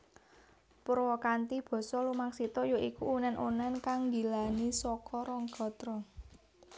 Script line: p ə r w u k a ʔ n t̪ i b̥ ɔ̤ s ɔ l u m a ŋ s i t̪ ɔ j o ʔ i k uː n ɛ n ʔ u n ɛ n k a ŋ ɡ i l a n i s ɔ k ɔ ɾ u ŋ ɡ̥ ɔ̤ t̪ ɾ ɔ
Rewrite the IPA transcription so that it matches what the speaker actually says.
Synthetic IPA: p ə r w ɔ k a n t̪ i b̥ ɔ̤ s ɔ l u m a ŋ s i t̪ ɔ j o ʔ i k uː n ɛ n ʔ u n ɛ n k a ŋ ɡ i l a n i s ɔ k ɔ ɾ ɔ ŋ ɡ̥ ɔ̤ t̪ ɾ ɔ